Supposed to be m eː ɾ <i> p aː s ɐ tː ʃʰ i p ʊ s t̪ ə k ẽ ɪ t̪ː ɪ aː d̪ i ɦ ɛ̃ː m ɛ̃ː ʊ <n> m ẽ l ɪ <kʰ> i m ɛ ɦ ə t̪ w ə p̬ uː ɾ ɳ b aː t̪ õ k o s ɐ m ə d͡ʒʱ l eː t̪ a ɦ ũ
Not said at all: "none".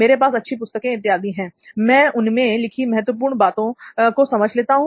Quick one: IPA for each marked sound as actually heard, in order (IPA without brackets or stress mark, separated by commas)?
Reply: e, n, kʰ